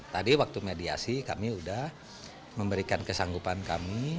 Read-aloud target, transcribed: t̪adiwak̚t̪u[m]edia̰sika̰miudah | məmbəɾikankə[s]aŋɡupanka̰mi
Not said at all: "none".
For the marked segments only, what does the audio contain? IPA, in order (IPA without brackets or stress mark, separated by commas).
m, s